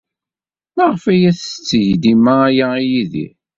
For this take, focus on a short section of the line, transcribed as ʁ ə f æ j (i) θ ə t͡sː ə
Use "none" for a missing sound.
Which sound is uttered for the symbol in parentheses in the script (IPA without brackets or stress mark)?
æ